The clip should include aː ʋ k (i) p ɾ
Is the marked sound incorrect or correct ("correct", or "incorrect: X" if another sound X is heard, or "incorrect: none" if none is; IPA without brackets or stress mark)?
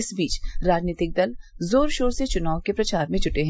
incorrect: e